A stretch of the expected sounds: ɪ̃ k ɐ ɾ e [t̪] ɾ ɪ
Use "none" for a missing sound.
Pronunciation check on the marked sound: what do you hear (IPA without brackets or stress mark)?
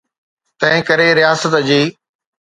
none